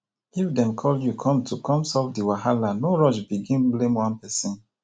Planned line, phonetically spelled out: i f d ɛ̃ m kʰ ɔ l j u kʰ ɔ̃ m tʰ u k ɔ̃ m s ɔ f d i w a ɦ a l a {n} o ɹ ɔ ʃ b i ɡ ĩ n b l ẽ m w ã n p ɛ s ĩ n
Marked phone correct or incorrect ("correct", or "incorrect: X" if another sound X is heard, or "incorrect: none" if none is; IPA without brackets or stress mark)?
correct